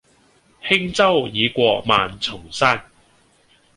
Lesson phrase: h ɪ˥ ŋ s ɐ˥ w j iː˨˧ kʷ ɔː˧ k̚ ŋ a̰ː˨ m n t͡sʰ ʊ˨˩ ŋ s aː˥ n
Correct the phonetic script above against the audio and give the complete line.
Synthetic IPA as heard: h ɪ˥ ŋ t͡s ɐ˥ w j iː˨˧ kʷ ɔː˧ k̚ m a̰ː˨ n t͡sʰ ʊ˨˩ ŋ s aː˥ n